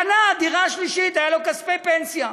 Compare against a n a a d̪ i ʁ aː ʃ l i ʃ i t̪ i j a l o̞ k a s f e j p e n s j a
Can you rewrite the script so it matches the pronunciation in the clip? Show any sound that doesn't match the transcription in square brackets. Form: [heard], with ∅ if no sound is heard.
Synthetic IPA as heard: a n a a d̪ i ʁ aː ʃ l i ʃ i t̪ [a] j a l o̞ k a s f e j p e n s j a